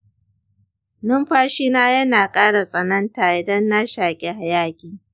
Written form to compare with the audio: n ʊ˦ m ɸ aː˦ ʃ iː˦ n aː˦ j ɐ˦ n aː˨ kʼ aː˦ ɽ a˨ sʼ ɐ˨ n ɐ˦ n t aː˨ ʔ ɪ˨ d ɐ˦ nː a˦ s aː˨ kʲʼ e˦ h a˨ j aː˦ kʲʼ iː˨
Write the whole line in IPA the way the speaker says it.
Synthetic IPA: n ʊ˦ m ɸ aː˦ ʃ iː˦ n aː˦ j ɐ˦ n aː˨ kʼ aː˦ ɽ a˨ sʼ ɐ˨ n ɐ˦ n t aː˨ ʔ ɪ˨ d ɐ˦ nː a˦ ʃ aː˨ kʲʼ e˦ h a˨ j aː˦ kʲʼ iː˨